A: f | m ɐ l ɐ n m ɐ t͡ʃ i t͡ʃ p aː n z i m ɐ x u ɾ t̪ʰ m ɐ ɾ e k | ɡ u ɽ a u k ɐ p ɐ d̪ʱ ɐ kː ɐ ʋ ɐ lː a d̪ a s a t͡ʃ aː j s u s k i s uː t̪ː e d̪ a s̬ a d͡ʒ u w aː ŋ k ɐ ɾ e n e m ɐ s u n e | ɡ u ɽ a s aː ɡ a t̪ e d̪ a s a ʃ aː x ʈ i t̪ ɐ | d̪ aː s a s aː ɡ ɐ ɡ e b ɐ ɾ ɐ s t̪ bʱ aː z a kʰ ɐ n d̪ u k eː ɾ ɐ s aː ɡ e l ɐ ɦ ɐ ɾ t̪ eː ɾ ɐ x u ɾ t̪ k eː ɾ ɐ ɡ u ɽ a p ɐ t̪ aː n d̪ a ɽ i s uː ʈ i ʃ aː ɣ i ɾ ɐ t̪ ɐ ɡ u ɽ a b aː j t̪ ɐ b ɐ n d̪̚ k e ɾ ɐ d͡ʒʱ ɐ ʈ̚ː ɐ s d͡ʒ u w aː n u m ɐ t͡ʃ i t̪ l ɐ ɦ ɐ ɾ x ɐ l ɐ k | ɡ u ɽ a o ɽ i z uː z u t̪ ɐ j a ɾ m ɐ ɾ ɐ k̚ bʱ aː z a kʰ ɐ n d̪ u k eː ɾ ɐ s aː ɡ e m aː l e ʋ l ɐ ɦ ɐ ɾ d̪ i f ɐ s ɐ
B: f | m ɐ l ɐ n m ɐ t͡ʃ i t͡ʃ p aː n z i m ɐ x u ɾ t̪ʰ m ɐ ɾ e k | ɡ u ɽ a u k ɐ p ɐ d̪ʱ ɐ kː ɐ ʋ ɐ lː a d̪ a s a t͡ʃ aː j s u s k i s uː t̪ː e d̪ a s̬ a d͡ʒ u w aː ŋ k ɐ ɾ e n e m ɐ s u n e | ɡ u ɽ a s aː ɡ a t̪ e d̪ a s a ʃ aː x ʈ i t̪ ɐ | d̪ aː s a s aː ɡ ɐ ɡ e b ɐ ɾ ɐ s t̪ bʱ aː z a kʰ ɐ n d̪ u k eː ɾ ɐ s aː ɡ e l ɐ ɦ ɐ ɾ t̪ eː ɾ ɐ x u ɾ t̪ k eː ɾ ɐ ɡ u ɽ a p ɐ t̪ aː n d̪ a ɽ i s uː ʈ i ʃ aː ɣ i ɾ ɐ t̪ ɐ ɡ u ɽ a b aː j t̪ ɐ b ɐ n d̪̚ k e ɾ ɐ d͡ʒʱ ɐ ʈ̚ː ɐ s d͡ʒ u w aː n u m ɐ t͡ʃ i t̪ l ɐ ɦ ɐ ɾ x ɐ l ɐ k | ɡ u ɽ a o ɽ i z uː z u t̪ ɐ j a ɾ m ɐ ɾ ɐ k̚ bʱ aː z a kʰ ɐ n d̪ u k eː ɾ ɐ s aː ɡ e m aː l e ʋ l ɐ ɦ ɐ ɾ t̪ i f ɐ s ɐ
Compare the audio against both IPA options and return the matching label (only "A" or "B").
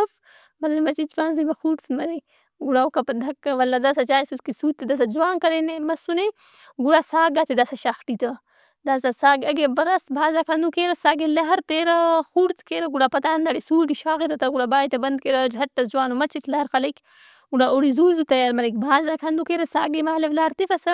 B